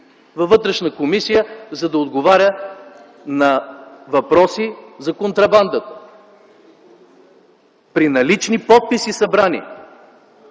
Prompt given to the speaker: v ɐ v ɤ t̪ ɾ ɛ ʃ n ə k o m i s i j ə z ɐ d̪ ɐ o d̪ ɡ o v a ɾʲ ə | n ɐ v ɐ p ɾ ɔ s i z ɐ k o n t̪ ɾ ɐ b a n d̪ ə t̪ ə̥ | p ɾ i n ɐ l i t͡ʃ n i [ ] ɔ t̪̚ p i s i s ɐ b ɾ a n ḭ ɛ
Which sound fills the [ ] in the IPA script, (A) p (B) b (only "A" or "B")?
A